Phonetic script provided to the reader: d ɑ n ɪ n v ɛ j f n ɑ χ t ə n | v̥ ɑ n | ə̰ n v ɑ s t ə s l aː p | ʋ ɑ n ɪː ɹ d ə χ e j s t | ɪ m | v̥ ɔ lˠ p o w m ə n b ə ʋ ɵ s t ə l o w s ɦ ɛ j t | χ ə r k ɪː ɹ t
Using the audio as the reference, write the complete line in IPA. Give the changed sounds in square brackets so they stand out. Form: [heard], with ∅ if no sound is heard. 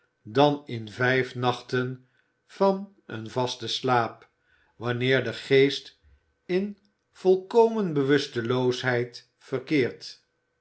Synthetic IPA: d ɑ n ɪ n v ɛ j f n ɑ χ t ə n | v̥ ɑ n | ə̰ n v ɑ s t ə s l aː p | ʋ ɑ n ɪː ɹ d ə χ e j s t | ɪ [n] | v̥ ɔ lˠ [k] o w m ə n b ə ʋ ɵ s t ə l o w s ɦ ɛ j t | [f] ə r k ɪː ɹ t